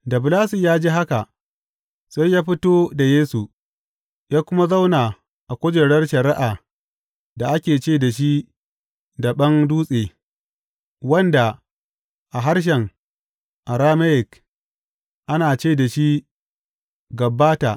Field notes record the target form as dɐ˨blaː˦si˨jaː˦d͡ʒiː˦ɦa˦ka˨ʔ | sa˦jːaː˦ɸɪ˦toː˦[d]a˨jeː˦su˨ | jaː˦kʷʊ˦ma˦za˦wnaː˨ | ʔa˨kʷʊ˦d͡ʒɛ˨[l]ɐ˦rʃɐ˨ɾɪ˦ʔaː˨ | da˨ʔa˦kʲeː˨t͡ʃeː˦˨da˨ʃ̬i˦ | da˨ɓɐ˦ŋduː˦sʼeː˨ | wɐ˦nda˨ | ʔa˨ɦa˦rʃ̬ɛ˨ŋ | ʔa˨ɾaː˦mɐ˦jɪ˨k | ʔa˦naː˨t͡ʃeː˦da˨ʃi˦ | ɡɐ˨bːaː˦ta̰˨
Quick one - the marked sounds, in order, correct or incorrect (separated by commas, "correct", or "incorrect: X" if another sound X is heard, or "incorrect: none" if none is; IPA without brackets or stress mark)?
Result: correct, incorrect: ɽ